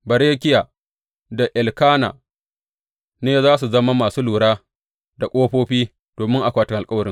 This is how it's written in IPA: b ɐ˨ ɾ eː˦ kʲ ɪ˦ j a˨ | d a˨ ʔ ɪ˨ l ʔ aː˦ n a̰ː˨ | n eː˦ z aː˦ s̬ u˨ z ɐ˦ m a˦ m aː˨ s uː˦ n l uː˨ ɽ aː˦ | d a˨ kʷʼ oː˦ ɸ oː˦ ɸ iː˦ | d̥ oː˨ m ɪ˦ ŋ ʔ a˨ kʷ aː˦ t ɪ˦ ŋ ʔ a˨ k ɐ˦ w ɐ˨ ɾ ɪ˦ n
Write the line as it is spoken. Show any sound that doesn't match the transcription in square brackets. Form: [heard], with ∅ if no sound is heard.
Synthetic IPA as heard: b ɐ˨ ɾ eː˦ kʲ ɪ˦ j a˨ | d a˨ ʔ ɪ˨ l [k] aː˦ n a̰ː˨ | n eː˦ z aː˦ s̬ u˨ z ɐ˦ m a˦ m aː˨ s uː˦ [∅] l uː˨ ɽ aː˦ | d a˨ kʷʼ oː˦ ɸ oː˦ ɸ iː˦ | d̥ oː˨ m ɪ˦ ŋ ʔ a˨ kʷ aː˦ t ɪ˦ ŋ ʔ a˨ [kʼ] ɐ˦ w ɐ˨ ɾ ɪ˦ [ŋ]